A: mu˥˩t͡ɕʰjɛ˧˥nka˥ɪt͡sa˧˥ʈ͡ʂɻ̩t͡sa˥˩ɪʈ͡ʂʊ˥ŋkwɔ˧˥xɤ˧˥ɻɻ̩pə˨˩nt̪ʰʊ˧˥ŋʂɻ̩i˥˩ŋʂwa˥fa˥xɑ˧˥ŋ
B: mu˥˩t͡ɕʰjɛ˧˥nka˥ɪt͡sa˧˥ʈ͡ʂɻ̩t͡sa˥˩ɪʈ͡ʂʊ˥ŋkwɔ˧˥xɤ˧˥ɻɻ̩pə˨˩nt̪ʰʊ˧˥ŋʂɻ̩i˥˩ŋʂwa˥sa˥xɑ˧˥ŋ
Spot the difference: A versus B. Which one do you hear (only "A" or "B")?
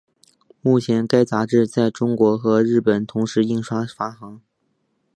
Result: A